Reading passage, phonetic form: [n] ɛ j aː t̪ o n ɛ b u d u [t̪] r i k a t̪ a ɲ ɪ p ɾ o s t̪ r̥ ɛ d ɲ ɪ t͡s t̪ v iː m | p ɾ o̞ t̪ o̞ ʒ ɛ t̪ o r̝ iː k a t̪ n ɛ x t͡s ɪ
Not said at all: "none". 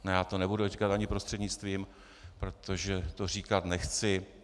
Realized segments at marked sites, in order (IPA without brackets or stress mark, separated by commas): n, none